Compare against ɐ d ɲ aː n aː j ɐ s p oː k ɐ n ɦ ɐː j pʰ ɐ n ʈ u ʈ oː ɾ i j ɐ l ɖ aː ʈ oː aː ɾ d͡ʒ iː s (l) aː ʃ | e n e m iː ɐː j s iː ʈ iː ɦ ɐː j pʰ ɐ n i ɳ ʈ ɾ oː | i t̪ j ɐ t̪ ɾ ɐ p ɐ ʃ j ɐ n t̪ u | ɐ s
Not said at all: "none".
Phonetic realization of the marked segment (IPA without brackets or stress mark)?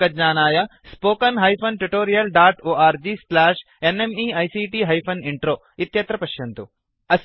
l